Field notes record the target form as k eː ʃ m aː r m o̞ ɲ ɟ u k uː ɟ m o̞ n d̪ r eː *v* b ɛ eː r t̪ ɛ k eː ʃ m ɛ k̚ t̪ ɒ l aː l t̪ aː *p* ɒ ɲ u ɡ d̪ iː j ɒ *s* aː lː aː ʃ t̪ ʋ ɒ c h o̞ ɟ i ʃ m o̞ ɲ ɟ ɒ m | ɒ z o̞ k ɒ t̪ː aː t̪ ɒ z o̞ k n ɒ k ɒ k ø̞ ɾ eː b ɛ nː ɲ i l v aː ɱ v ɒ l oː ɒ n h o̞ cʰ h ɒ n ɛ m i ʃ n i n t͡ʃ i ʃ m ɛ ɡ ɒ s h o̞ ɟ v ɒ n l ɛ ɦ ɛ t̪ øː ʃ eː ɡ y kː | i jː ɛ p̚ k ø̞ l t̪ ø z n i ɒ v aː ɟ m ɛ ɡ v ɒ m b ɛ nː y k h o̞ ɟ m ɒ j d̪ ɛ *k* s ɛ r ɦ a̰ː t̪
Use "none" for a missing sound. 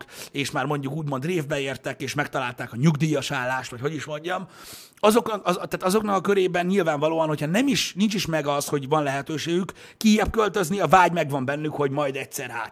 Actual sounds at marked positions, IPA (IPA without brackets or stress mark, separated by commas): v, k, ʃ, c